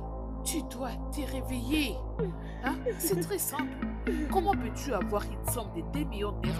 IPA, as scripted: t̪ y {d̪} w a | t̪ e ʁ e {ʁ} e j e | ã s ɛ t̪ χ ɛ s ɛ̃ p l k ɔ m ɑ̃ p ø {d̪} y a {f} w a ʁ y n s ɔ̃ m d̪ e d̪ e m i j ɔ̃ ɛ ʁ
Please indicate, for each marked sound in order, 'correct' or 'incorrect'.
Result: correct, incorrect, incorrect, incorrect

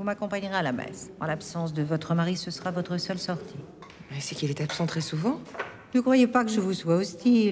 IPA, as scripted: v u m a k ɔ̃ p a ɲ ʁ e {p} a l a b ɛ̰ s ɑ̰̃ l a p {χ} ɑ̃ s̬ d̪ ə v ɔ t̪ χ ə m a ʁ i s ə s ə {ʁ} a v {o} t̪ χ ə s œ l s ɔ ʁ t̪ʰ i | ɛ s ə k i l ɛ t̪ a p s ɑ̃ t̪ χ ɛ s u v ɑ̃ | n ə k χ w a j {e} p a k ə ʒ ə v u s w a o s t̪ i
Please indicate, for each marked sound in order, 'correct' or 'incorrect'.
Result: incorrect, incorrect, correct, incorrect, correct

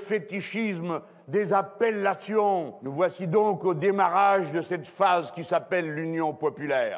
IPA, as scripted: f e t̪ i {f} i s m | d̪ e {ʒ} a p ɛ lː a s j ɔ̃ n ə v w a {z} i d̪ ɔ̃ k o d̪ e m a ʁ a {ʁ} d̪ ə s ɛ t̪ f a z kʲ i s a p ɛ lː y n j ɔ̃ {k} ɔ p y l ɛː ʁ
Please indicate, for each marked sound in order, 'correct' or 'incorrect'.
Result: incorrect, incorrect, incorrect, incorrect, incorrect

